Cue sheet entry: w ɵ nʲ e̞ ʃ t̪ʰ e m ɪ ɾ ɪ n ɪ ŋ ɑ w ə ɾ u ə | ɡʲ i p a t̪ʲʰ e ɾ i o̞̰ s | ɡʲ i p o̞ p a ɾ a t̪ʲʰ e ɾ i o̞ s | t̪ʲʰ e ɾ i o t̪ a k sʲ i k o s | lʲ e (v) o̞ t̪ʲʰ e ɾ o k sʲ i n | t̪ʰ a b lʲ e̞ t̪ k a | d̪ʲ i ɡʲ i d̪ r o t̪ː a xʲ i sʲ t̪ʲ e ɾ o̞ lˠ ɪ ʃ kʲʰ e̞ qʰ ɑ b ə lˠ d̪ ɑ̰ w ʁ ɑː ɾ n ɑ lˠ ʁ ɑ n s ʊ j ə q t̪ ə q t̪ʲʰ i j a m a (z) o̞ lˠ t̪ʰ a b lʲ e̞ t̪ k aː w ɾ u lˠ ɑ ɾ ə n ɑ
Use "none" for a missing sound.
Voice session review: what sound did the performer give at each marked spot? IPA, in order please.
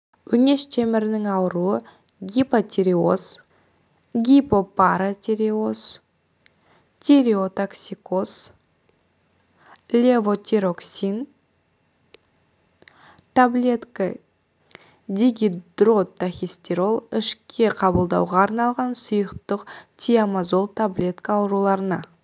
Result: v, z

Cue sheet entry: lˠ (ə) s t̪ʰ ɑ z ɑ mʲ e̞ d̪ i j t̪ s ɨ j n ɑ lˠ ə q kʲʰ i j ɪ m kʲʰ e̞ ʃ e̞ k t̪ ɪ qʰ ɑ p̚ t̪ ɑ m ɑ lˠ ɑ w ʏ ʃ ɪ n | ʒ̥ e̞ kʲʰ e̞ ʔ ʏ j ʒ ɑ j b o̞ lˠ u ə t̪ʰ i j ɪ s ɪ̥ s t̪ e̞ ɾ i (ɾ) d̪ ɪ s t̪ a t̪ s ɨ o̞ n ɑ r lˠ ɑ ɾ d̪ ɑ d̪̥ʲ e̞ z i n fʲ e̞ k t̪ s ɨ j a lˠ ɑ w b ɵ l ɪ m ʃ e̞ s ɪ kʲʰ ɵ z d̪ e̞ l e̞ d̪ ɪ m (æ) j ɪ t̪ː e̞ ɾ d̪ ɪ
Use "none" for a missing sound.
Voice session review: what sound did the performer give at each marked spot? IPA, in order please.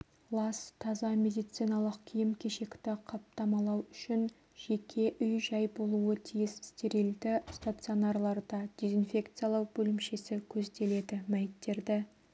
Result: ɑ, l, æ

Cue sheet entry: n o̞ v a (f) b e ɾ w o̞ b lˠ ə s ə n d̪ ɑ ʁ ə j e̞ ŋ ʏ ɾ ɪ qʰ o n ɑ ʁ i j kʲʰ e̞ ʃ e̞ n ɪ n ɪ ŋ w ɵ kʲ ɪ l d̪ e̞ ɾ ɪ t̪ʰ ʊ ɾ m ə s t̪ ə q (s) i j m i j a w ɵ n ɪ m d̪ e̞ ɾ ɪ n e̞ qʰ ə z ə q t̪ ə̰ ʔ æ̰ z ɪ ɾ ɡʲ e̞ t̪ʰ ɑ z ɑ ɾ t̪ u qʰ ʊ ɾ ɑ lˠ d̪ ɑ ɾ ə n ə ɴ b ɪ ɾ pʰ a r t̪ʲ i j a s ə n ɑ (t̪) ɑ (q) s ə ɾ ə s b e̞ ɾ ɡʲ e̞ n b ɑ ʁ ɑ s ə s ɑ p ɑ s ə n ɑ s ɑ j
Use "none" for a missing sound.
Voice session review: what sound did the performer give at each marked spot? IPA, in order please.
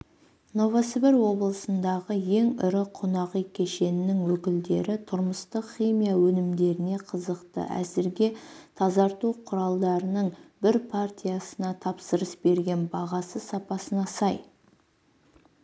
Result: s, χ, t̪ʰ, p

